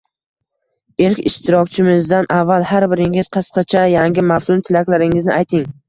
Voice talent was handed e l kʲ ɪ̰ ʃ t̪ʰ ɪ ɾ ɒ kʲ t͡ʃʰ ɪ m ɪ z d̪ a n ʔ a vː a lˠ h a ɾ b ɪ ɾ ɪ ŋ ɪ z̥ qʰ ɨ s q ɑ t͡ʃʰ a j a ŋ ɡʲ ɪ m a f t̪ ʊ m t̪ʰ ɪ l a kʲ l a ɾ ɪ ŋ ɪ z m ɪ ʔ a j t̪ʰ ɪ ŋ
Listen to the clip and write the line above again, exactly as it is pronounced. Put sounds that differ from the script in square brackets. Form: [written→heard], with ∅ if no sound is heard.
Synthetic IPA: e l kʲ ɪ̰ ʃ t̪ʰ ɪ ɾ ɒ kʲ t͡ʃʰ ɪ m ɪ z d̪ a n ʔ a vː a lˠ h a ɾ b ɪ ɾ ɪ ŋ ɪ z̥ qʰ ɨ s q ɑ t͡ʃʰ a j a ŋ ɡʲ ɪ m a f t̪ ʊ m t̪ʰ ɪ l a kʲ l a ɾ ɪ ŋ ɪ z [m→n] ɪ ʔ a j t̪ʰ ɪ ŋ